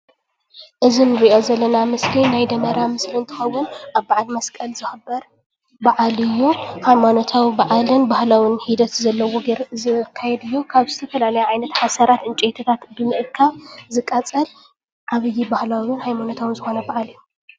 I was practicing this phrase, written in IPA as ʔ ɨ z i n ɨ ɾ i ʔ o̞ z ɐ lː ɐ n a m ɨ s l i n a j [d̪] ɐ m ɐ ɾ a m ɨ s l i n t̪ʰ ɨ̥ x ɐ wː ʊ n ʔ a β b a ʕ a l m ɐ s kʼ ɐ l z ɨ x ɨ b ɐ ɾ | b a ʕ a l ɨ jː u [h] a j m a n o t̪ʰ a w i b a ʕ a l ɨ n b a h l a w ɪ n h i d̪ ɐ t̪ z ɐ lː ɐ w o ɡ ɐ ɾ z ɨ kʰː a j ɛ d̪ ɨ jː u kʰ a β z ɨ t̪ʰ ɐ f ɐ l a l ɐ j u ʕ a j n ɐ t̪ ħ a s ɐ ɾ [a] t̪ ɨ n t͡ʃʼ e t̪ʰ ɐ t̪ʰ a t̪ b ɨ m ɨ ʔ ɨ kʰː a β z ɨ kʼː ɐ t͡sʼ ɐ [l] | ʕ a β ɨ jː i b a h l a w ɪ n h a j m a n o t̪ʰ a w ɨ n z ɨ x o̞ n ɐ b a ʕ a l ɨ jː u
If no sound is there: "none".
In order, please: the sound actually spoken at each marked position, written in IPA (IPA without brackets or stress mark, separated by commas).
d̪, h, a, l